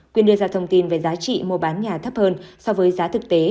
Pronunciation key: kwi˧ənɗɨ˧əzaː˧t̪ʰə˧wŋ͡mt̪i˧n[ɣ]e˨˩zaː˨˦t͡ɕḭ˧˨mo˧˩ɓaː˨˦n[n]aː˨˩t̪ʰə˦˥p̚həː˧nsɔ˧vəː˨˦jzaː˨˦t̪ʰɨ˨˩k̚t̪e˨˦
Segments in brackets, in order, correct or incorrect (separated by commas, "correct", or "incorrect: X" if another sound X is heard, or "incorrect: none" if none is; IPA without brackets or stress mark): incorrect: v, incorrect: ɲ